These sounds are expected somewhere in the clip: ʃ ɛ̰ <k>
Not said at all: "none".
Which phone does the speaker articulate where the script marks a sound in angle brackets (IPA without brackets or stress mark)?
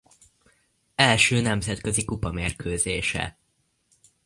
none